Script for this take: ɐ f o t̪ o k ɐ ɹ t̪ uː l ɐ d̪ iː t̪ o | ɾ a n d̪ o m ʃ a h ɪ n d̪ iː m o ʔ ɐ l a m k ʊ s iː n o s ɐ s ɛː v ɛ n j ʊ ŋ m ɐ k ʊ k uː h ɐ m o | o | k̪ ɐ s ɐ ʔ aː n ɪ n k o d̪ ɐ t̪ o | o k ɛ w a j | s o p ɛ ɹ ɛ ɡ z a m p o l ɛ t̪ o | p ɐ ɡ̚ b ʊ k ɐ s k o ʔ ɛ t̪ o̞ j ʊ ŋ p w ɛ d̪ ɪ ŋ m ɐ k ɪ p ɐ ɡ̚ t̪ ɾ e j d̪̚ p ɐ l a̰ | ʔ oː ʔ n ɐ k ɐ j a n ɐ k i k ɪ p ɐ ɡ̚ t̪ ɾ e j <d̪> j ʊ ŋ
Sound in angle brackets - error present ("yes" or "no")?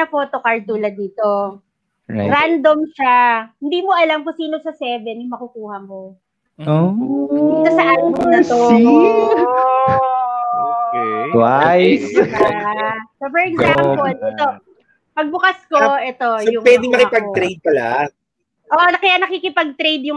no